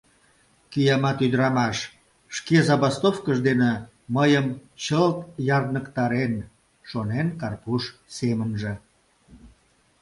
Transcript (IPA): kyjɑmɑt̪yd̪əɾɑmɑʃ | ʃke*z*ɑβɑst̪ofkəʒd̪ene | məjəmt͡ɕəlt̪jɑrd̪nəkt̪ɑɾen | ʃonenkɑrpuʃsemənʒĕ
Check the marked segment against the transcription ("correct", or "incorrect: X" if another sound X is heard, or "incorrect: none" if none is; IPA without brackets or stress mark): correct